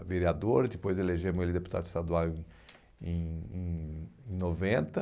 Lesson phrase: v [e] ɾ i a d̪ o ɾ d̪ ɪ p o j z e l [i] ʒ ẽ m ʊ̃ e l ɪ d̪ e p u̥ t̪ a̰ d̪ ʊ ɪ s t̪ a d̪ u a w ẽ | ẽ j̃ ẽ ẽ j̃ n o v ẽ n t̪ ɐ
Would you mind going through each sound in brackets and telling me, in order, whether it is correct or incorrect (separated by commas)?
correct, incorrect